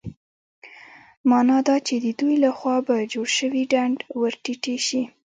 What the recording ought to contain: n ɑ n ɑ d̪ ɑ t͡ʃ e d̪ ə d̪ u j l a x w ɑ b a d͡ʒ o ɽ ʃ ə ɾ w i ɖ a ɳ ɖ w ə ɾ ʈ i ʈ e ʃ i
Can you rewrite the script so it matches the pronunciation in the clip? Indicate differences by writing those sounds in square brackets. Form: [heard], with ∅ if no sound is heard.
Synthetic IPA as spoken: [m] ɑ n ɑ d̪ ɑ t͡ʃ e d̪ ə d̪ u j l a x w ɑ b a d͡ʒ o ɽ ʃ ə [∅] w i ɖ a ɳ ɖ w ə ɾ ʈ i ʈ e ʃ i